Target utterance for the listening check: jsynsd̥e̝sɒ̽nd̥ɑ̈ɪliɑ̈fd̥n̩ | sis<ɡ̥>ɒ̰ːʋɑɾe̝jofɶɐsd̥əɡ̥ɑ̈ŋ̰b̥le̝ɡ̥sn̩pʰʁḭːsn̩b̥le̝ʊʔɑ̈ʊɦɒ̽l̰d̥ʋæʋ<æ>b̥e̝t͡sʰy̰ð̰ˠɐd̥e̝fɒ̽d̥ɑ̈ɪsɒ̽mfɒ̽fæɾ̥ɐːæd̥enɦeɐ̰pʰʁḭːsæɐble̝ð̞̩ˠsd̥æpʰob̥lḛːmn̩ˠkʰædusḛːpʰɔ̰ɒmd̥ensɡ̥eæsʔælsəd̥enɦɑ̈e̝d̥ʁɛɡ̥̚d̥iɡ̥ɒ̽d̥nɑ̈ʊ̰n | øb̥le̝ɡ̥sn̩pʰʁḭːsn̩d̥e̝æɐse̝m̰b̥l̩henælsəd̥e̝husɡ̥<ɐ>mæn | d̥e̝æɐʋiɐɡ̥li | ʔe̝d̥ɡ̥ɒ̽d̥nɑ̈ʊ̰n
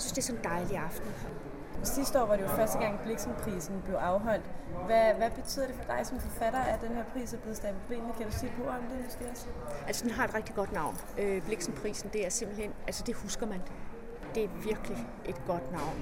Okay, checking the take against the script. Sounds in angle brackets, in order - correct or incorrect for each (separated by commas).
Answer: incorrect, correct, correct